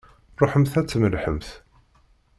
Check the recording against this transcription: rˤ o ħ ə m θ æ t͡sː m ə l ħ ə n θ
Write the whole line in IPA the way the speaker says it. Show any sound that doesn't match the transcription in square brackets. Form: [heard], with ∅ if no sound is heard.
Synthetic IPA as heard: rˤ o ħ ə m θ æ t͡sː m ə l ħ ə [m] θ